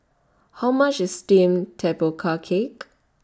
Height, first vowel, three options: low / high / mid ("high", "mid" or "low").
low